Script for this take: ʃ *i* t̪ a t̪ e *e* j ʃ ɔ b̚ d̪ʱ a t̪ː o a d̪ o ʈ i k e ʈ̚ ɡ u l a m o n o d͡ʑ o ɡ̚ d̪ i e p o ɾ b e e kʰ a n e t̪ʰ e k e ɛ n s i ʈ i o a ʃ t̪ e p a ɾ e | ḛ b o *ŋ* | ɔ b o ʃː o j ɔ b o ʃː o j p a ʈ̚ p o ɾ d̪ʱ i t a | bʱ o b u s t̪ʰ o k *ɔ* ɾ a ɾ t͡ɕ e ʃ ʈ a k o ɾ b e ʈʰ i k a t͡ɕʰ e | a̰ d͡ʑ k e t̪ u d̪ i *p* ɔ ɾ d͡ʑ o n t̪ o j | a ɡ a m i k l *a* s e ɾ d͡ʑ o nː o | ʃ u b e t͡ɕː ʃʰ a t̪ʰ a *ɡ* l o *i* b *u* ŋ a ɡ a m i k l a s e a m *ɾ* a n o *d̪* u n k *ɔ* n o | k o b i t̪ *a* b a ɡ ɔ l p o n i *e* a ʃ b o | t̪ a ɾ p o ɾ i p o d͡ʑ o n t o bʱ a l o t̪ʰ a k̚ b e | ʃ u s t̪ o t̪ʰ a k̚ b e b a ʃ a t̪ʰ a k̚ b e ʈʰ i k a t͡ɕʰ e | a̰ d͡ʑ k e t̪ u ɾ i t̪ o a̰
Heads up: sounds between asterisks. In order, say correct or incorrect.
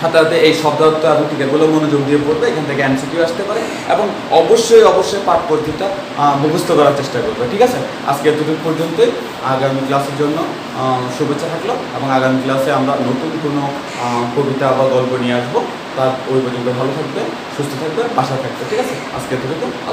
incorrect: a, correct, correct, correct, correct, correct, incorrect: k, incorrect: e, incorrect: o, correct, incorrect: t̪, incorrect: o, correct, correct

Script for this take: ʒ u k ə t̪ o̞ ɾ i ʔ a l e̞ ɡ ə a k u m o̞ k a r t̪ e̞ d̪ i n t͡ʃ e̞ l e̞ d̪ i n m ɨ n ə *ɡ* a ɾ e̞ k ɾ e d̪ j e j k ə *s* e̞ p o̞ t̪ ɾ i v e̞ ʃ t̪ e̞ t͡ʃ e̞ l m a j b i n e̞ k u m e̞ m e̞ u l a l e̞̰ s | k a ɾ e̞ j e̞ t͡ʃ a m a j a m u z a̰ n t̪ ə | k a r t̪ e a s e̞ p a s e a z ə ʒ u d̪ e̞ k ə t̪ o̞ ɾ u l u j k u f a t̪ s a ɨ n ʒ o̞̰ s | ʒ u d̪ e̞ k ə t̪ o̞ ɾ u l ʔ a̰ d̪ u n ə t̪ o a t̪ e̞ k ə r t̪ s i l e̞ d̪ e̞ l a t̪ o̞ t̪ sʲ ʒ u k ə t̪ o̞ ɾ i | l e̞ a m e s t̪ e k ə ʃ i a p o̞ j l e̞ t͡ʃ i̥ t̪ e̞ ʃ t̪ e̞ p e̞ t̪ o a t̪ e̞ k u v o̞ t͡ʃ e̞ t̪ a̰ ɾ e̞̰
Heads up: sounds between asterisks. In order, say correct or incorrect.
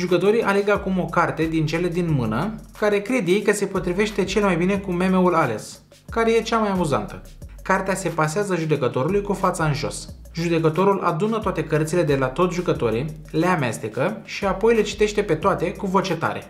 incorrect: k, correct

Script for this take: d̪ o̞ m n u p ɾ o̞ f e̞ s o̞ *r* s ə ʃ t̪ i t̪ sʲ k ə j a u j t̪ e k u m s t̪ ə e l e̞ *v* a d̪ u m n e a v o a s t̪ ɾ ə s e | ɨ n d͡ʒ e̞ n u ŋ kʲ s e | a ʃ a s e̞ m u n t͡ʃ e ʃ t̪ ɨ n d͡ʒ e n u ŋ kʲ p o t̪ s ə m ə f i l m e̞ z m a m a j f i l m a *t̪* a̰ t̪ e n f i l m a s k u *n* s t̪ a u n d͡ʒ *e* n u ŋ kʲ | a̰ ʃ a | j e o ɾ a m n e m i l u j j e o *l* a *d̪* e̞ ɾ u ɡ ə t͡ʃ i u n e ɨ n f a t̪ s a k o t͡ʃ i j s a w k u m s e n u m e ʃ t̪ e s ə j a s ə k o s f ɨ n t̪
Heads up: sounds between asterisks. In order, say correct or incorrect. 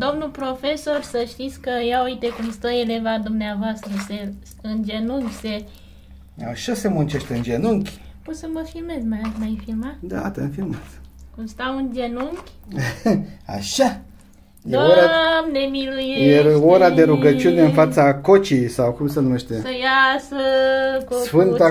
correct, correct, incorrect: d̪, incorrect: m, correct, incorrect: ɾ, correct

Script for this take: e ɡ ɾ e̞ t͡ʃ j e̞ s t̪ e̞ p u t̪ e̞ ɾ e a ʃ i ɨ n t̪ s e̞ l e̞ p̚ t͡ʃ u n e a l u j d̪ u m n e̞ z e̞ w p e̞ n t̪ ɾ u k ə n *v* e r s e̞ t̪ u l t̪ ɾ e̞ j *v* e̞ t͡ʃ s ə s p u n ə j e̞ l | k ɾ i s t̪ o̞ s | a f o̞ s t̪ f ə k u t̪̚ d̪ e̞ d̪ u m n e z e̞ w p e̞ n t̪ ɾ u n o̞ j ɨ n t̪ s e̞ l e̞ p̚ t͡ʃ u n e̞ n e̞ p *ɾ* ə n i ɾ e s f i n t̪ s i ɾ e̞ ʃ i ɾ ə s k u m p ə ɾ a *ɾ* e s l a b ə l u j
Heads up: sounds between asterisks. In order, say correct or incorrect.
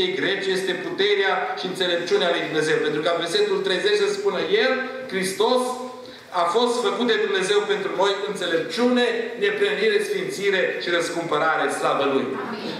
correct, incorrect: z, correct, correct

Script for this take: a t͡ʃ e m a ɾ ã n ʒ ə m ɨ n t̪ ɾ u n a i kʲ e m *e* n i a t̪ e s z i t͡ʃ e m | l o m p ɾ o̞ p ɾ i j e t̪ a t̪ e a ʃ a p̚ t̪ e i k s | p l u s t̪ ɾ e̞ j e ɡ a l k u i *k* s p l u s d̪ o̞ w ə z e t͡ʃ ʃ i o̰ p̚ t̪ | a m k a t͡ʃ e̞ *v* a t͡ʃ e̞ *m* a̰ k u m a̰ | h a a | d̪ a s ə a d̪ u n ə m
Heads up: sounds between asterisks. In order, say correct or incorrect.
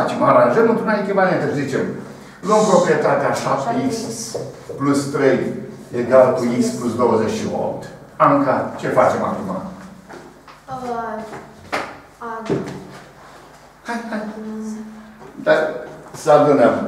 incorrect: a, correct, incorrect: f, correct

